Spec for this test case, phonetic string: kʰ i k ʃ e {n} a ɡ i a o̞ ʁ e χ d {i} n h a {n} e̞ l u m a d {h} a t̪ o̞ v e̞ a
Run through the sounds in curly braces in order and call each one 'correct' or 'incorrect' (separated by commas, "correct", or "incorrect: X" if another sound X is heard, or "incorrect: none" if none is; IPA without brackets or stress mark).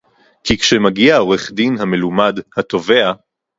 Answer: incorrect: m, correct, incorrect: m, correct